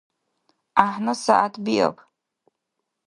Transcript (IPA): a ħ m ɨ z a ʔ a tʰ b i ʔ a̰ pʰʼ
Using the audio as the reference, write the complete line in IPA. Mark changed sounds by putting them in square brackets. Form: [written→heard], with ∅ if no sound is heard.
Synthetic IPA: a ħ [m→n] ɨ [z→s] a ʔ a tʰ b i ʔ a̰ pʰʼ